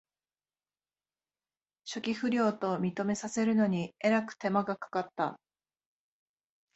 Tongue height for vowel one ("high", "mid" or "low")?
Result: mid